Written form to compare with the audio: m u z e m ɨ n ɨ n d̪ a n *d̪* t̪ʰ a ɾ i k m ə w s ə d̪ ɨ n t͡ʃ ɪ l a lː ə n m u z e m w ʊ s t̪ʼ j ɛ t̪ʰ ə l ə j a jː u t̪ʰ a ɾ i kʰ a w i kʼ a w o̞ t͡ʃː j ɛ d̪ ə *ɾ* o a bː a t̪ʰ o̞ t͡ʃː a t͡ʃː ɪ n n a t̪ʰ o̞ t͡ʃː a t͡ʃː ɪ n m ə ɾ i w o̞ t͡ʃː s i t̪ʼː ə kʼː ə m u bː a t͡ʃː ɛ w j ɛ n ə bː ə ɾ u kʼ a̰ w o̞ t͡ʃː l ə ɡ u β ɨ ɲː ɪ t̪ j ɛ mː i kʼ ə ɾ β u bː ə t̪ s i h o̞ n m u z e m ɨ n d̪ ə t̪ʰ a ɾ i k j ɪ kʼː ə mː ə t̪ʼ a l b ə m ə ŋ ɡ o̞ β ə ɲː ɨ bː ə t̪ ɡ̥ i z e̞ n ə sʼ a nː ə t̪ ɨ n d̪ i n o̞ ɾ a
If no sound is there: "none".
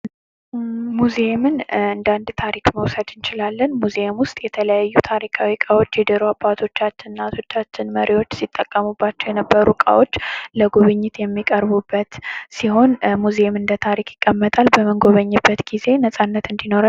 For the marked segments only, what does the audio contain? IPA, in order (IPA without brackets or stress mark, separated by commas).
d̪, ɾ